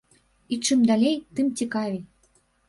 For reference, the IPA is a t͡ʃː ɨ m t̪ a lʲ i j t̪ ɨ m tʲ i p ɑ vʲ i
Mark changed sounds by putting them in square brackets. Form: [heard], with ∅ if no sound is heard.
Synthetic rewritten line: [i] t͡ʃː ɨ m [d̪] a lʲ [e] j t̪ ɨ m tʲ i [k] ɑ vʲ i